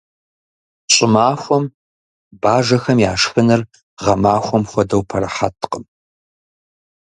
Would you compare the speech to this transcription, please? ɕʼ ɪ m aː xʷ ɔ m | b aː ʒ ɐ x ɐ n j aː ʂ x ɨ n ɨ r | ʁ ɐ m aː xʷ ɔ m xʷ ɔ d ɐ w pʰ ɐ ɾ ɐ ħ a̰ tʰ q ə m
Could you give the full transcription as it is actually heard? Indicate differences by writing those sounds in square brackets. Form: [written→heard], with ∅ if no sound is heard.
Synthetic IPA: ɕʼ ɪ m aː xʷ ɔ m | b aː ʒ ɐ x ɐ [n→m] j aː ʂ x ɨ n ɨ r | ʁ ɐ m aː xʷ ɔ m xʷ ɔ d ɐ w pʰ ɐ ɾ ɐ ħ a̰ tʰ q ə m